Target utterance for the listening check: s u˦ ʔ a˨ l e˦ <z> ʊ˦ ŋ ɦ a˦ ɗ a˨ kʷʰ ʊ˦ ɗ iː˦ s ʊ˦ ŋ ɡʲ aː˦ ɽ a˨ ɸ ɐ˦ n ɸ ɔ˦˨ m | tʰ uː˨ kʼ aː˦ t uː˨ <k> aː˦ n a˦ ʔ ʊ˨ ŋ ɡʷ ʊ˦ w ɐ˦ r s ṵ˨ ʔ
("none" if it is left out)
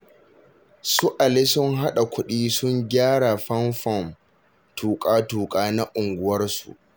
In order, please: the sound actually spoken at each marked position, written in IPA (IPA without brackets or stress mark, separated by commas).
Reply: s, kʼ